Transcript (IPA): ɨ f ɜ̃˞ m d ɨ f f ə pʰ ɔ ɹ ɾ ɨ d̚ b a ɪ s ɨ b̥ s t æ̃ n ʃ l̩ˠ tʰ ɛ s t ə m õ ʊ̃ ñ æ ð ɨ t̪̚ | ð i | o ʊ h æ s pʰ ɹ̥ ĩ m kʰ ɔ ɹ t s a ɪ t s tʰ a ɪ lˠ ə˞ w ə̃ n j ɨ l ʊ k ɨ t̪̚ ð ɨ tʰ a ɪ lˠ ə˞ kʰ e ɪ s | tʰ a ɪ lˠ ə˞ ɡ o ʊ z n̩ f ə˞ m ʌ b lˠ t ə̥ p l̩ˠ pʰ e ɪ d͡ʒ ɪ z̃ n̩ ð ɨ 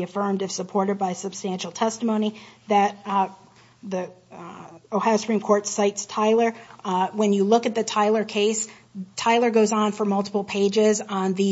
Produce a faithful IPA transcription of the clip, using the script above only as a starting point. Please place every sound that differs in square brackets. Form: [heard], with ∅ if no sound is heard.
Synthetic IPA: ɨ f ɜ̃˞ m d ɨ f [s] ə pʰ ɔ ɹ ɾ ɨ d̚ b a ɪ s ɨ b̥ s t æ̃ n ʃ l̩ˠ tʰ ɛ s t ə m õ ʊ̃ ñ [i] ð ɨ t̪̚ | ð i | o ʊ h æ s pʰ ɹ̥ ĩ m kʰ ɔ ɹ t s a ɪ t s tʰ a ɪ lˠ ə˞ w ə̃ n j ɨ l ʊ k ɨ t̪̚ ð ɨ tʰ a ɪ lˠ ə˞ kʰ e ɪ s | tʰ a ɪ lˠ ə˞ ɡ o ʊ z n̩ f ə˞ m ʌ [∅] lˠ t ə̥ p l̩ˠ pʰ e ɪ d͡ʒ ɪ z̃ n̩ ð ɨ